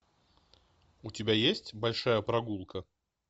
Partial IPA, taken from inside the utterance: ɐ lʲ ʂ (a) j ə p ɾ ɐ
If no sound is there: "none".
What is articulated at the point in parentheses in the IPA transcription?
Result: a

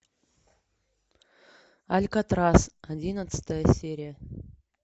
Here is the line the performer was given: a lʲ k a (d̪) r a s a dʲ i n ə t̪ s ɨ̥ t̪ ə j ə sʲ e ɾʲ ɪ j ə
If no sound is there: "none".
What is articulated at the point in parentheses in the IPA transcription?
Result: t̪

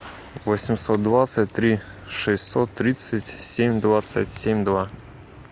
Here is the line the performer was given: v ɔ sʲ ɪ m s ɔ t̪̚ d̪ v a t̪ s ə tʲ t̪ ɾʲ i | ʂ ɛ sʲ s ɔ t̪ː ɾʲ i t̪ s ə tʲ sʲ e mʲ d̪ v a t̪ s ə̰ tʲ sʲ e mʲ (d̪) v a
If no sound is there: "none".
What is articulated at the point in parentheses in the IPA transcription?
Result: d̪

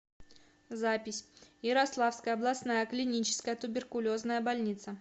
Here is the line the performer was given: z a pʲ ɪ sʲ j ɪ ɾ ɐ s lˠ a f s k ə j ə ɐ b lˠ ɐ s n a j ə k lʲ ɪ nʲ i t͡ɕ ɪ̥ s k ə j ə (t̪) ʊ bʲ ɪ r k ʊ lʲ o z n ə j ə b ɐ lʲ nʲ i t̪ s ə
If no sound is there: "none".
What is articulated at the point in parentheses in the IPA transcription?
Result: t̪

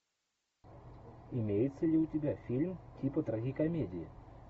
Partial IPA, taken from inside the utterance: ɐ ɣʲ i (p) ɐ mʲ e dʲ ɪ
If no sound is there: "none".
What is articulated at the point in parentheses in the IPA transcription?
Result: k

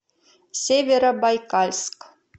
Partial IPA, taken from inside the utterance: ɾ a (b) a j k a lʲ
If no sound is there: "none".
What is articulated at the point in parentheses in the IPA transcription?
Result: b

